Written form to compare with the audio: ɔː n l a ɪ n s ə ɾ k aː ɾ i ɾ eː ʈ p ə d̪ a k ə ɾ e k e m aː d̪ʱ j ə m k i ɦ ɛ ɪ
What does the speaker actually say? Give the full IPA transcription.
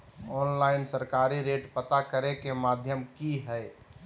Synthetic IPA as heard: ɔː n l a ɪ n s ə ɾ k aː ɾ i ɾ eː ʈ p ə t̪ a k ə ɾ e k e m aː d̪ʱ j ə m k i ɦ ɛ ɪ